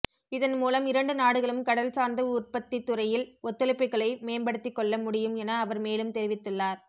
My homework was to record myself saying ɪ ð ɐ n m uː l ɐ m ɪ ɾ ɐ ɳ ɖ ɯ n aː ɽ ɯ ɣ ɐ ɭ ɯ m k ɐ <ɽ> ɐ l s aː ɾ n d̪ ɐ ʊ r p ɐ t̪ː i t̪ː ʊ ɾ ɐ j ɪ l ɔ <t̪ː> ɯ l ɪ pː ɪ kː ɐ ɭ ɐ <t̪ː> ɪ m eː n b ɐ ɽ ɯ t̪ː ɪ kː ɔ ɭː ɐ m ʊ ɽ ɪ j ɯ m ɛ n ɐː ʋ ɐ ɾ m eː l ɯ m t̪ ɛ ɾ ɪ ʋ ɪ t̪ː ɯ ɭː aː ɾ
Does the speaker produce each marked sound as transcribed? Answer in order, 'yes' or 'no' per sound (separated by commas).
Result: yes, yes, no